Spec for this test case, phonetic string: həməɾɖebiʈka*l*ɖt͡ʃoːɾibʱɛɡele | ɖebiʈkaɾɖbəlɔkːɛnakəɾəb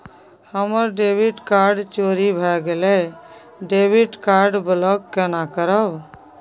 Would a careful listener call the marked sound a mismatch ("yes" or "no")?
yes